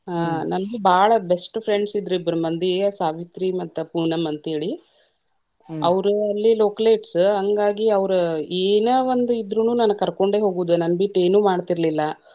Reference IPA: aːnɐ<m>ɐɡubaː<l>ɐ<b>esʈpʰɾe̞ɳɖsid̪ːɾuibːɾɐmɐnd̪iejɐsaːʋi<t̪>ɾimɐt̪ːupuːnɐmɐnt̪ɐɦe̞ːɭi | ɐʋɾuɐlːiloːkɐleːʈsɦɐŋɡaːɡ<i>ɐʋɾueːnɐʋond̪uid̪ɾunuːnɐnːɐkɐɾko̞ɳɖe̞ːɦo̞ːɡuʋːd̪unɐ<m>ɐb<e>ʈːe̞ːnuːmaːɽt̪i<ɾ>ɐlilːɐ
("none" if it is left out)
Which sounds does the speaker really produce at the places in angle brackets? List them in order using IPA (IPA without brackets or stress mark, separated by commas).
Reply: n, ɭ, b, t̪, i, n, i, ɾ